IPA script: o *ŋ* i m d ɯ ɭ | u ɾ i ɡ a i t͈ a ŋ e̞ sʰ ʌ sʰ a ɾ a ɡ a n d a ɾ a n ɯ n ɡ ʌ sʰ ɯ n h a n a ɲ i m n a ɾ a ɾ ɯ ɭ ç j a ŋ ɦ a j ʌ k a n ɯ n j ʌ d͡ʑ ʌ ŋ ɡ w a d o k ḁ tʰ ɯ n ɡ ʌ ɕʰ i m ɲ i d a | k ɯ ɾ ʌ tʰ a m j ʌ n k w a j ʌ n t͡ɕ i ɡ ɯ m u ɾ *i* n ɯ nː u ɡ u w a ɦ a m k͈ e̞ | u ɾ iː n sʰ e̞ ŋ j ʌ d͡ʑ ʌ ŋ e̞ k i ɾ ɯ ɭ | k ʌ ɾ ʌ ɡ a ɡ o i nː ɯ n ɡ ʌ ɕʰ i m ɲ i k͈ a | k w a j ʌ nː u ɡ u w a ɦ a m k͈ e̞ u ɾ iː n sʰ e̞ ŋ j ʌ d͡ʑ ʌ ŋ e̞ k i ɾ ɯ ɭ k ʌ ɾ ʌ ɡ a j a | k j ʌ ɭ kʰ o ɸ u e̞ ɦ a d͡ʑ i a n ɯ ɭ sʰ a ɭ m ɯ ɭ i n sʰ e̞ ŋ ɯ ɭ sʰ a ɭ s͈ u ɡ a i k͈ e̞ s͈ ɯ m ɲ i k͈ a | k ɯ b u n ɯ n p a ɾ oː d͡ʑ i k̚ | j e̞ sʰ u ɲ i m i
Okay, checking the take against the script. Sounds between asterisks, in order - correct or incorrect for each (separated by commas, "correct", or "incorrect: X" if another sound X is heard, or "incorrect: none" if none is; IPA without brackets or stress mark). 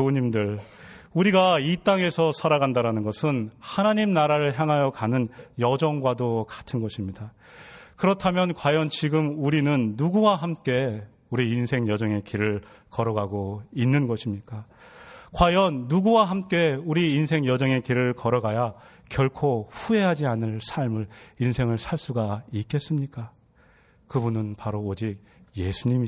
incorrect: ɲ, correct